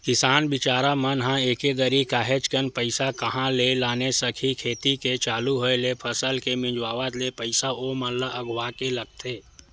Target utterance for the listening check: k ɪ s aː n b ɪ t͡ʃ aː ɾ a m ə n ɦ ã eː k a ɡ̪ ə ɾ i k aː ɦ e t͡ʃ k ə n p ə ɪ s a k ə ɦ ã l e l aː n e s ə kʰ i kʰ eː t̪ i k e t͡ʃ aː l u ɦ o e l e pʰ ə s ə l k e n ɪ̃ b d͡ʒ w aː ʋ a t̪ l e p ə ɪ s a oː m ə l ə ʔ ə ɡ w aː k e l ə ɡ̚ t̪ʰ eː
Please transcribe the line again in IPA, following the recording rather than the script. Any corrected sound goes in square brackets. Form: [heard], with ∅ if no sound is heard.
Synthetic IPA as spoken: k ɪ s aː n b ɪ t͡ʃ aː ɾ a m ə n ɦ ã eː k [e] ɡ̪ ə ɾ i k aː ɦ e t͡ʃ k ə n p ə ɪ s a k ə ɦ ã l e l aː n e s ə kʰ i kʰ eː t̪ i k e t͡ʃ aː l u ɦ o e l e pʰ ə s ə l k e [m] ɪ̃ [∅] d͡ʒ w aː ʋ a t̪ l e p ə ɪ s a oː m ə l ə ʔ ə ɡ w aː k e l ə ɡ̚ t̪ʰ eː